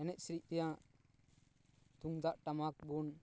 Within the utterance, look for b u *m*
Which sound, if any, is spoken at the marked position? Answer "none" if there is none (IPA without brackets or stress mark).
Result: n